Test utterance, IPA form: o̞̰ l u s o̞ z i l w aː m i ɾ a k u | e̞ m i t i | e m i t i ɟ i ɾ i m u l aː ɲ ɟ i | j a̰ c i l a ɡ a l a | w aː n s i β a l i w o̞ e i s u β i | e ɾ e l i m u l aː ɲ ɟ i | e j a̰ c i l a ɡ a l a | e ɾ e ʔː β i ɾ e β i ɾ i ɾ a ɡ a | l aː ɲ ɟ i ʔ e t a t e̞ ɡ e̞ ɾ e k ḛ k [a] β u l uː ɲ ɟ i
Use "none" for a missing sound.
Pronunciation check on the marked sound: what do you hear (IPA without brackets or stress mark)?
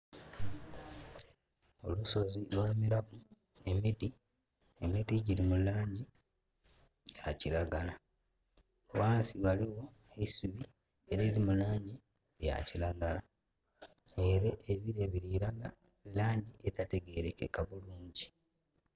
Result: a